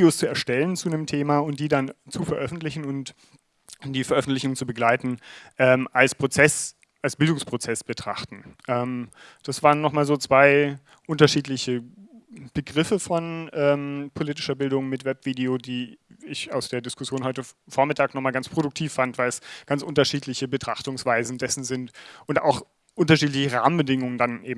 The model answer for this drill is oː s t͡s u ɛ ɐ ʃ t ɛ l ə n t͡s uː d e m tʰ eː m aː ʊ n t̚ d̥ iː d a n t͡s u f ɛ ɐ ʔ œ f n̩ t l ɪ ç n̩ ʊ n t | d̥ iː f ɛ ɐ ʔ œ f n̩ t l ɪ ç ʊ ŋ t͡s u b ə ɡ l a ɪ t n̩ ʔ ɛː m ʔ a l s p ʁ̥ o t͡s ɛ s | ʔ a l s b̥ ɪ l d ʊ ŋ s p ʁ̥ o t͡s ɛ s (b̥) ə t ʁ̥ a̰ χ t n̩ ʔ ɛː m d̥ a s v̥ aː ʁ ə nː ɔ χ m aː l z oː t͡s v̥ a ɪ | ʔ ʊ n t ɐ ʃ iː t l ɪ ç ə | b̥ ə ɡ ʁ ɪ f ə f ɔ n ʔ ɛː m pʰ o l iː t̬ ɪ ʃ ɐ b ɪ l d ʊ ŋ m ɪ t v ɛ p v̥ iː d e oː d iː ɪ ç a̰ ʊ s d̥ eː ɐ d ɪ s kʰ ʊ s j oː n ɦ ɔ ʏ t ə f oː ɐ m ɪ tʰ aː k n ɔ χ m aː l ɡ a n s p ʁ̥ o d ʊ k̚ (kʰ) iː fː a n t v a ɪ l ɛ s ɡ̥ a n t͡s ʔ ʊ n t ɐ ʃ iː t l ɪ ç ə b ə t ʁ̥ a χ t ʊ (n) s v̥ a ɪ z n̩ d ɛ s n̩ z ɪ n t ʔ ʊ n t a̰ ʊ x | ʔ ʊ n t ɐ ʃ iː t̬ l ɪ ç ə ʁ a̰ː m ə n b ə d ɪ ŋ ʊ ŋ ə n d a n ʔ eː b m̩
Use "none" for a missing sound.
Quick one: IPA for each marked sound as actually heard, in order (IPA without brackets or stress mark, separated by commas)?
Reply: b̥, tʰ, ŋ